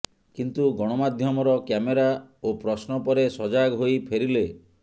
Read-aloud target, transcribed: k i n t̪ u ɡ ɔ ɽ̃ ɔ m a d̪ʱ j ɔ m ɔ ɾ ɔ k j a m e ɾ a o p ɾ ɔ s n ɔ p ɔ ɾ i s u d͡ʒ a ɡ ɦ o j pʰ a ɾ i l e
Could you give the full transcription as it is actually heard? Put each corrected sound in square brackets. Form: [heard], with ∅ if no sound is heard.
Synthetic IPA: k i n t̪ u ɡ ɔ ɽ̃ ɔ m a d̪ʱ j ɔ m ɔ ɾ ɔ k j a m e ɾ a o p ɾ ɔ s n ɔ p ɔ ɾ [e] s [ɔ] d͡ʒ a ɡ ɦ o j pʰ [e] ɾ i l e